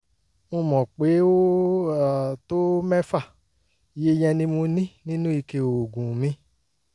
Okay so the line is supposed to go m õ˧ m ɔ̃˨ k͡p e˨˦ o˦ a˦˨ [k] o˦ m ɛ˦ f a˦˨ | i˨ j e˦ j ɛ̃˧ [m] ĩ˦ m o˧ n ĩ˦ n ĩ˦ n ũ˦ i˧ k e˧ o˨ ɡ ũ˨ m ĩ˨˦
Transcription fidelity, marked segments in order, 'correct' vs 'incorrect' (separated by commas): incorrect, incorrect